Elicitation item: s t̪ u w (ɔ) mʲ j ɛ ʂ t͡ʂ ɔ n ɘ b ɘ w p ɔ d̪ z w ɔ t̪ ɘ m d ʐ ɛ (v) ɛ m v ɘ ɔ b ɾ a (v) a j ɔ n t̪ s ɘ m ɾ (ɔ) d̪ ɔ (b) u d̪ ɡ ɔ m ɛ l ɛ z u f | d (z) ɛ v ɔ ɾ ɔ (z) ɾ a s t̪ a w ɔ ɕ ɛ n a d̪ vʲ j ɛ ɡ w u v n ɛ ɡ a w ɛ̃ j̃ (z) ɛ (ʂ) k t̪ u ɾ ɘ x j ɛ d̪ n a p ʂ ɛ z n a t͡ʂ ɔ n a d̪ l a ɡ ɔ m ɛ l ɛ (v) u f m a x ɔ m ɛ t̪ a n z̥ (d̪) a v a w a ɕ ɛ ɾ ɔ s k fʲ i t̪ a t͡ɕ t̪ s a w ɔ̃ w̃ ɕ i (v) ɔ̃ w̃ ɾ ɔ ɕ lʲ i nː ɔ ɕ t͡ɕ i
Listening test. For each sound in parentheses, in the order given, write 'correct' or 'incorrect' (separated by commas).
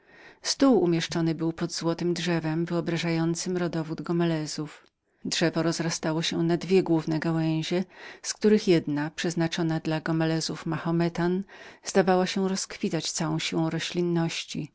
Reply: incorrect, correct, incorrect, correct, incorrect, incorrect, correct, incorrect, incorrect, incorrect, correct, incorrect